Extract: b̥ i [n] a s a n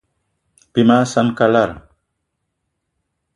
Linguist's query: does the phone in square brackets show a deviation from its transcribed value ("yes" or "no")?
yes